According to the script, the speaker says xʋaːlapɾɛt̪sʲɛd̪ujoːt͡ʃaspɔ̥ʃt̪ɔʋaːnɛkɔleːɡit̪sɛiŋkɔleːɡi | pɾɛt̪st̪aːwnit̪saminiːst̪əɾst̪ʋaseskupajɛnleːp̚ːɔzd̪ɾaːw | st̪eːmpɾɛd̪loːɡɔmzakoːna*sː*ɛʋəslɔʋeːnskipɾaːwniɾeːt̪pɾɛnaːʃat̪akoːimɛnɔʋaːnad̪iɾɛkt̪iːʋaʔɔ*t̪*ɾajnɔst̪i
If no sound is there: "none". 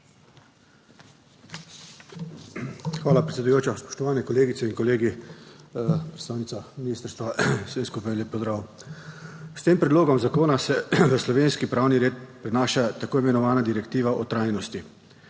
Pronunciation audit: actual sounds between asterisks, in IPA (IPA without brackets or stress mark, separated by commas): s, t̪